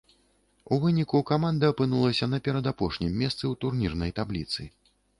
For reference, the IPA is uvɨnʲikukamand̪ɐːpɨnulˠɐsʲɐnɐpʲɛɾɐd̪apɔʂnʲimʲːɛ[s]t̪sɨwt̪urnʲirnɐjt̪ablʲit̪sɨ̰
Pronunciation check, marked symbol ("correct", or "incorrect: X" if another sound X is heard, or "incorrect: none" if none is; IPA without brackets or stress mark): correct